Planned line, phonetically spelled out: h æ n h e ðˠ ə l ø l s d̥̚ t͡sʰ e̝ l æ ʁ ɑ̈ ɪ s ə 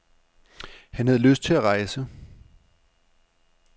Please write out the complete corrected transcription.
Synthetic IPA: h æ n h æ ðˠ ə l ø s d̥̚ t͡sʰ e̝ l æ ʁ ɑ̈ ɪ s ə

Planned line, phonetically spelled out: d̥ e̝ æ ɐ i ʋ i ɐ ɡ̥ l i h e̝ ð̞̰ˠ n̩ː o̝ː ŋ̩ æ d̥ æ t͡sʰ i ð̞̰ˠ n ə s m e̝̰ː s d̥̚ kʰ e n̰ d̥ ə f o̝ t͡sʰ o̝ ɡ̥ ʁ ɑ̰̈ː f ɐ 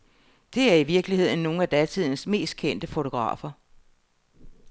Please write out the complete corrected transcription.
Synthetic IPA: d̥ e̝ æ ɐ i ʋ i ɐ ɡ̥ l i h e̝ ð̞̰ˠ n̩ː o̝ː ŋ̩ æ d̥ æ t͡sʰ i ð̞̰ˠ n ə s m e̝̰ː s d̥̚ kʰ e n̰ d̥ ə f o̝ t͡sʰ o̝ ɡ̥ ʁ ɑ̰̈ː f ɐ

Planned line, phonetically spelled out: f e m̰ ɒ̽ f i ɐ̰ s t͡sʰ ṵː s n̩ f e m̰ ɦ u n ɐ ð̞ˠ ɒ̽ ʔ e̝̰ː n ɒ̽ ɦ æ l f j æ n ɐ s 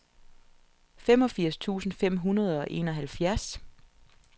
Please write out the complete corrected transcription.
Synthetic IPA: f e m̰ ɒ̽ f i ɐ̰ s t͡sʰ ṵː s n̩ f e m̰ ɦ u n ɐ ð̞ˠ ɒ̽ ʔ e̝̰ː n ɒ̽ ɦ æ l f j æ ɐ s

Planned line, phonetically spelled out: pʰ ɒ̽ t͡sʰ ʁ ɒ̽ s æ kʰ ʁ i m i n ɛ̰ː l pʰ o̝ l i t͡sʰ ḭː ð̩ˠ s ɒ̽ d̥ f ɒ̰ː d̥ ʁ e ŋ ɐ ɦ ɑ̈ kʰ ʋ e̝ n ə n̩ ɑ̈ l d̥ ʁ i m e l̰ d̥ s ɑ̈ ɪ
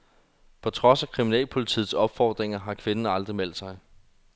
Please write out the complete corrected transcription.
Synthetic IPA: pʰ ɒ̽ t͡sʰ ʁ ɒ̽ s æ kʰ ʁ i m i n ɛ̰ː l pʰ o̝ l i t͡sʰ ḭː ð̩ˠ s ɒ̽ b̥ f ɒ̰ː d̥ ʁ e ŋ ɐ ɦ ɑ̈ kʰ ʋ e̝ n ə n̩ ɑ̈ l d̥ ʁ i m e l̰ d̥ s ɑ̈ ɪ

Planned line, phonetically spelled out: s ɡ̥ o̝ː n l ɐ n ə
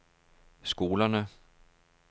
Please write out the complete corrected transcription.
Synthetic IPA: s ɡ̥ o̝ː l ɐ n ə

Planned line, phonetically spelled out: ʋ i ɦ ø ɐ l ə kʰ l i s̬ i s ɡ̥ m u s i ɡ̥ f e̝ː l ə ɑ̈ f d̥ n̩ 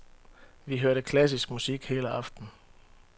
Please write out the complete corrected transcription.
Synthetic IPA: ʋ i ɦ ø ɐ ɾ ə kʰ l æ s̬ i s ɡ̥ m u s i ɡ̥ h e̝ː l ə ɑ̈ f d̥ n̩

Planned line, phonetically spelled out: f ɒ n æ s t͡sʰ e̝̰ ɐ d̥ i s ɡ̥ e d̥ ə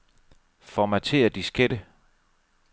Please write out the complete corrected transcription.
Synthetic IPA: f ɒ m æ t͡sʰ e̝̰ ɐ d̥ i s ɡ̥ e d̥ ə

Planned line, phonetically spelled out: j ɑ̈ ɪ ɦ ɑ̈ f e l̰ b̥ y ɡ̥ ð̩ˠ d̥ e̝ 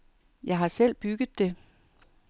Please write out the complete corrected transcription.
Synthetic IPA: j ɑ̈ ɪ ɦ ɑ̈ s e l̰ b̥ y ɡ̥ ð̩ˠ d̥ e̝

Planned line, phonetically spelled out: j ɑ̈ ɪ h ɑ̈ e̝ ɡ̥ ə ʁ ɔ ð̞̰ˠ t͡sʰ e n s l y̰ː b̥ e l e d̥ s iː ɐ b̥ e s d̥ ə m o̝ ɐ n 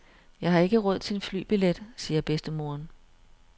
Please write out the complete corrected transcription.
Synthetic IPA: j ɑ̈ ɪ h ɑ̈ e̝ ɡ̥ ə ʁ ɔ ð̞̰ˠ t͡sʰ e n f l y̰ː b̥ i l e d̥ s iː ɐ b̥ e s d̥ ə m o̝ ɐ n

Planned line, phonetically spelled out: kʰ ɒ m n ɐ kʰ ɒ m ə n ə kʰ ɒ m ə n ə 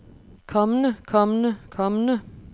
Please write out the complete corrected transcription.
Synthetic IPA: kʰ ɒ m n ə kʰ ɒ m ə n ə kʰ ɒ m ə n ə

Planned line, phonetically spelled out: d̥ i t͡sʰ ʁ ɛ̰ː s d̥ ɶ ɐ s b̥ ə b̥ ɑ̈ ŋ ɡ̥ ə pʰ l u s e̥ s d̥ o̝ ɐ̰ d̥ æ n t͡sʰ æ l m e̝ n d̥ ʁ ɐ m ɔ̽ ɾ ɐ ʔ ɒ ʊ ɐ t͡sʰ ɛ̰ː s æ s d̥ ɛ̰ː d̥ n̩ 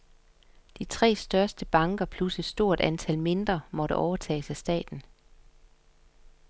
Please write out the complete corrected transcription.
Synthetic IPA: d̥ i t͡sʰ ʁ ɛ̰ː s d̥ ɶ ɐ s d̥ ə b̥ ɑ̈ ŋ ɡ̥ ɐ pʰ l u s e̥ s d̥ o̝ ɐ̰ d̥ æ n t͡sʰ æ l m e̝ n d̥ ʁ ɐ m ɒ̽ ɾ ə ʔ ɒ ʊ ɐ t͡sʰ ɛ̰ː s æ s d̥ ɛ̰ː d̥ n̩

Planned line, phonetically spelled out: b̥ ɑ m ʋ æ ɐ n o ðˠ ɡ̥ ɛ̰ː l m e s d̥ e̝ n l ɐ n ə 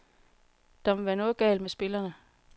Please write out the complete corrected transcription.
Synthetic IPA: d̥ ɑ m ʋ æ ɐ n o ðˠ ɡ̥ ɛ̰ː l m e s b̥ e̝ l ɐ n ə

